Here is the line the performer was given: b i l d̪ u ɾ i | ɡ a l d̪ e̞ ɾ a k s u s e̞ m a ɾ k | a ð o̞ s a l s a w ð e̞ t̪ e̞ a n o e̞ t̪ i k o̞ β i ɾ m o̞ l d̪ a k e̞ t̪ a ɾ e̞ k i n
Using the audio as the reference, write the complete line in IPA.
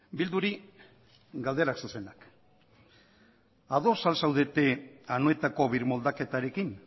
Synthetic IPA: b i l d̪ u ɾ i | ɡ a l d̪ e̞ ɾ a k s u s e̞ n a k | a ð o̞ s a l s a w ð e̞ t̪ e̞ a n o e̞ t̪ a k o̞ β i ɾ m o̞ l d̪ a k e̞ t̪ a ɾ e̞ k i n